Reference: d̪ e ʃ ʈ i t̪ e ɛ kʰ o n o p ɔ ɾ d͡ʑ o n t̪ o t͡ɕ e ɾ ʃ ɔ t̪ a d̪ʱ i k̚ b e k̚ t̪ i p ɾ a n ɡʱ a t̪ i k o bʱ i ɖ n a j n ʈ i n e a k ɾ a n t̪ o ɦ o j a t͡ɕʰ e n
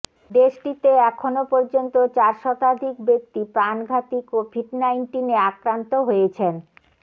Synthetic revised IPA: d̪ e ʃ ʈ i t̪ e ɛ kʰ o n o p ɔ ɾ d͡ʑ o n t̪ o t͡ɕ a ɾ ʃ ɔ t̪ a d̪ʱ i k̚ b e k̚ t̪ i p ɾ a n ɡʱ a t̪ i k o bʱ i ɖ n a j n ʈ i n e a k ɾ a n t̪ o ɦ o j e t͡ɕʰ e n